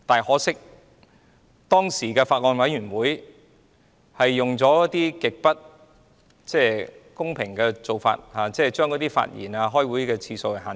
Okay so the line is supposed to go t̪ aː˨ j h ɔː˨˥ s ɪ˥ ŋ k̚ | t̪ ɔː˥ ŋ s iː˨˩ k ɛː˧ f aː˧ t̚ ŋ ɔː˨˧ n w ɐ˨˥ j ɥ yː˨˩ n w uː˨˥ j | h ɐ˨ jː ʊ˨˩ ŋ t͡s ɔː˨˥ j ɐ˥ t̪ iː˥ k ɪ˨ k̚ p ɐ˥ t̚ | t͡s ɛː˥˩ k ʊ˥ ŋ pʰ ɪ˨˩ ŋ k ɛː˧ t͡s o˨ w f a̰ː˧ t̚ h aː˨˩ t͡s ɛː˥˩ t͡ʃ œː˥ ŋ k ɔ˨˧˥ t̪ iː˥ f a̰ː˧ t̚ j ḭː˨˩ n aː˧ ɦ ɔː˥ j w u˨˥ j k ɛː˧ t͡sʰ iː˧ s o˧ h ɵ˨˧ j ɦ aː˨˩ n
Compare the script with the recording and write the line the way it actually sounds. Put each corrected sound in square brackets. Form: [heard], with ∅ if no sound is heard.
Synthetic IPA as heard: t̪ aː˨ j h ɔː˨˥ s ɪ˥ [∅] k̚ | t̪ ɔː˥ ŋ s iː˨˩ k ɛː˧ f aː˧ t̚ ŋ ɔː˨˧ n w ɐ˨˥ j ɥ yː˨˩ n w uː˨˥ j | h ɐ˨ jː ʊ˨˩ ŋ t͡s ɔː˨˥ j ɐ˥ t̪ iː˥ k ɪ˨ k̚ p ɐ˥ t̚ | t͡s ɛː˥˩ k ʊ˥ ŋ pʰ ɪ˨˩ ŋ k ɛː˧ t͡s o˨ w f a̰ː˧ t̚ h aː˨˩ t͡s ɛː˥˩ t͡ʃ œː˥ ŋ k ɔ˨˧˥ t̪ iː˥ f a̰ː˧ t̚ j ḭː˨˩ n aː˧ ɦ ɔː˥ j w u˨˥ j k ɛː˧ t͡sʰ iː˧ s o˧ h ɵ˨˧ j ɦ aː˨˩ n